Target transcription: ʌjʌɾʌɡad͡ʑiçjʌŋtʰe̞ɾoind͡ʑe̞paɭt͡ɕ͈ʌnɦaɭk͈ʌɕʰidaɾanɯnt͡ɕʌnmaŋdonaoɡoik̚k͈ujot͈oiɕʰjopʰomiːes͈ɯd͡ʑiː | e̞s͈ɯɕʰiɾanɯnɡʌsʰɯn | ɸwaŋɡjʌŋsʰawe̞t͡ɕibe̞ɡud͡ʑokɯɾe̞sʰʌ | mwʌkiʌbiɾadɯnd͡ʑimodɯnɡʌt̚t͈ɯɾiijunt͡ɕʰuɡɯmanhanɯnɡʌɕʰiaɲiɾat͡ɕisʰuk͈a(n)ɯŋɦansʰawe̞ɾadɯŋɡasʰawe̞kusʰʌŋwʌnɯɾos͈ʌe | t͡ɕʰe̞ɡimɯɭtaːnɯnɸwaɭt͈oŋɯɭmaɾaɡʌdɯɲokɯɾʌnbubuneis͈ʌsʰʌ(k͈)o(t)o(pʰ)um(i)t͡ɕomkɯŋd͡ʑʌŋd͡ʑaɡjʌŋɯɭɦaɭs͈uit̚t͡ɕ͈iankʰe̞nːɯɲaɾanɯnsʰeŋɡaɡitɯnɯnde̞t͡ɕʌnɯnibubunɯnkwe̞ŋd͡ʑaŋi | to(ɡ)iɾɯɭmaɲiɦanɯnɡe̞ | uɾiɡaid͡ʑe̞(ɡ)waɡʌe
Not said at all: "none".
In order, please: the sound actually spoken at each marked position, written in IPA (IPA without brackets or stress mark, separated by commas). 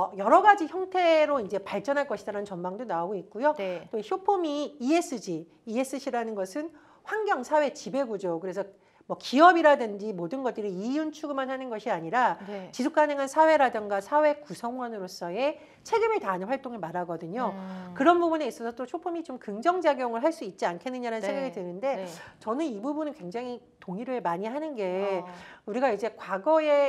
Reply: n, t͈, t͡ɕʰ, pʰ, i, ŋ, k